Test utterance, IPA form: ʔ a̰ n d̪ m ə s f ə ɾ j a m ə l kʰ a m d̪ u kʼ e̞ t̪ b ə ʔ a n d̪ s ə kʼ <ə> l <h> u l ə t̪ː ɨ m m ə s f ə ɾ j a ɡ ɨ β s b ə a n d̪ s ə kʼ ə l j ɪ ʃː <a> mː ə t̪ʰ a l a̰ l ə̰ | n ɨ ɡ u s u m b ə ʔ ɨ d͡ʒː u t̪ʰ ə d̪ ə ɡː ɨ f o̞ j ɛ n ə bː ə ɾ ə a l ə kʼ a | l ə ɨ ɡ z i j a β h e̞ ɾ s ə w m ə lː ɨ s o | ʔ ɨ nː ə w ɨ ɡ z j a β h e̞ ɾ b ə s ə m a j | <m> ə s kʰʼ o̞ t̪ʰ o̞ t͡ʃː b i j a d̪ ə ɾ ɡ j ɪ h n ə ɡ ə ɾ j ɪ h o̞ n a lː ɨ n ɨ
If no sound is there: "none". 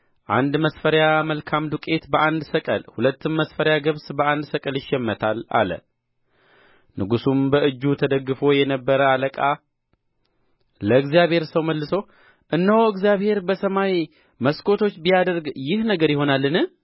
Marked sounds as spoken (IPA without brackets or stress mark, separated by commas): ə, h, ɛ, m